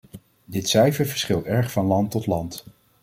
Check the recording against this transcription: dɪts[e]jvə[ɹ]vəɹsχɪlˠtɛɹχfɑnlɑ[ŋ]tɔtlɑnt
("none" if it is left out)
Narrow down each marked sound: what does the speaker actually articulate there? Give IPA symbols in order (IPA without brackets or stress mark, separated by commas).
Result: ɛ, ɹ, n